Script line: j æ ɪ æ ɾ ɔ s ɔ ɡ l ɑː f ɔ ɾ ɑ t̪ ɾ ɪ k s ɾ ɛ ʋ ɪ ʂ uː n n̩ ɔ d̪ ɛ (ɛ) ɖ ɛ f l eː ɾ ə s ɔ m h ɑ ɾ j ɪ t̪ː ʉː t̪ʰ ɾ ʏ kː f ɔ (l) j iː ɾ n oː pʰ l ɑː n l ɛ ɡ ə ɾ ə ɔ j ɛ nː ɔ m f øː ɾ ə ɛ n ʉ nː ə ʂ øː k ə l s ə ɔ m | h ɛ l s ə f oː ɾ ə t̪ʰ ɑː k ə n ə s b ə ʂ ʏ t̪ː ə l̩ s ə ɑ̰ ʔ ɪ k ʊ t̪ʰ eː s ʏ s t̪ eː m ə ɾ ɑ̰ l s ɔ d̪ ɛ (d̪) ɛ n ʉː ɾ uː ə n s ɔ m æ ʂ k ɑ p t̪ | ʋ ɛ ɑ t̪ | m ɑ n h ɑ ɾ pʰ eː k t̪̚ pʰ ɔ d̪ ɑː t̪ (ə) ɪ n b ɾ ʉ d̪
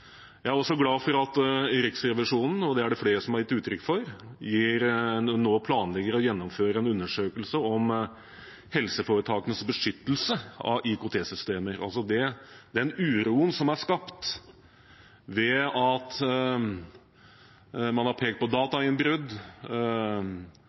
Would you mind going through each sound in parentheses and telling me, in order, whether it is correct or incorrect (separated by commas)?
incorrect, incorrect, correct, incorrect